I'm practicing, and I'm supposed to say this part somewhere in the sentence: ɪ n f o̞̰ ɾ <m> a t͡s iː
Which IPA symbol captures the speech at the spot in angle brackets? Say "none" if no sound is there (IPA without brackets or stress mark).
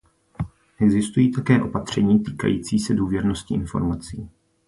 m